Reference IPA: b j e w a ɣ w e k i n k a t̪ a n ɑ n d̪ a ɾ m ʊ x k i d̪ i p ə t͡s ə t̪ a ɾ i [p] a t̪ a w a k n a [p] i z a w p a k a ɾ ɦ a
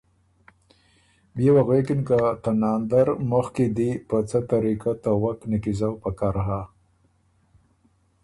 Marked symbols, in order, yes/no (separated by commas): no, no